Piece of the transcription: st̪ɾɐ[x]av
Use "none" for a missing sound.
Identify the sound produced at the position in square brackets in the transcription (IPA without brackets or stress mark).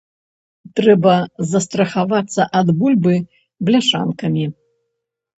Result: x